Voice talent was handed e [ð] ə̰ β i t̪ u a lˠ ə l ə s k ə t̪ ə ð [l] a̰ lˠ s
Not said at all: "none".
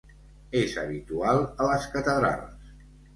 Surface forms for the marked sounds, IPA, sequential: z, ɾ

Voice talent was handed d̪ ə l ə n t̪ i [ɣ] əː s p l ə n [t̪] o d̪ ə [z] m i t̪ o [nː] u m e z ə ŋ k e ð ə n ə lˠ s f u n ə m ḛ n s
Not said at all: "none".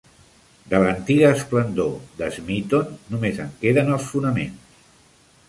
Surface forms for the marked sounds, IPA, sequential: ɣ, d̪, z, nː

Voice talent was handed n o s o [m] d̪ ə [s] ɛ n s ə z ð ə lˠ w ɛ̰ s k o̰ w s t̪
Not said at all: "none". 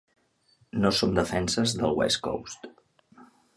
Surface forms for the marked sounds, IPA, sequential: m, f

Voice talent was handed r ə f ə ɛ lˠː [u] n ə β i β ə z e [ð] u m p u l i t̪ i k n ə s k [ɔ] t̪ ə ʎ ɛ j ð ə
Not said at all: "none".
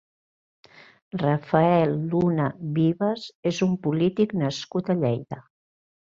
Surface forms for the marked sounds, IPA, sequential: u, z, u

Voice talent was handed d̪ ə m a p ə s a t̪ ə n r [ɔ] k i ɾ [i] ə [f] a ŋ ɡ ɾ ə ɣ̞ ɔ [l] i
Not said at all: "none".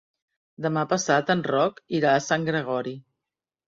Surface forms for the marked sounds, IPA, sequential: ɔ, a, s, ɾ

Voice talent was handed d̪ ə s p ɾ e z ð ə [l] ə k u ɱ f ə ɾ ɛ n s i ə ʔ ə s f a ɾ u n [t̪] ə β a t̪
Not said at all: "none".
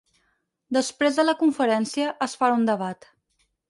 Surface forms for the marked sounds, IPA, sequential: l, d̪

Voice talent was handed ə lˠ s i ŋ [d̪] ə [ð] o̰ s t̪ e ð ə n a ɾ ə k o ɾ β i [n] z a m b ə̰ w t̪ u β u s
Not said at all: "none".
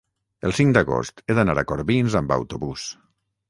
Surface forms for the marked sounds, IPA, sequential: d̪, ɣ, n

